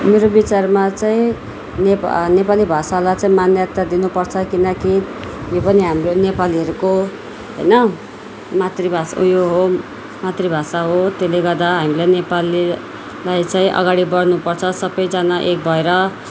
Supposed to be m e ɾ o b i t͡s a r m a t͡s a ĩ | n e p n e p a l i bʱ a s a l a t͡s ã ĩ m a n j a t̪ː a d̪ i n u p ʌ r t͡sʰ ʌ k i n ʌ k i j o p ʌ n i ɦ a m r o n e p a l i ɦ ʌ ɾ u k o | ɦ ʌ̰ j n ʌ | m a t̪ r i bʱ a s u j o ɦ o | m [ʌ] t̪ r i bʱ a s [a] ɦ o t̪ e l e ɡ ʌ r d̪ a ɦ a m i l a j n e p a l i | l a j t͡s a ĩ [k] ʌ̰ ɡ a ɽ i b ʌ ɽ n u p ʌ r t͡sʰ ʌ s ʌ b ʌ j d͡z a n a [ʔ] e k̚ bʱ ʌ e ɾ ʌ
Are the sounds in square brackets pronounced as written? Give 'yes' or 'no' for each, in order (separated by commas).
no, yes, no, yes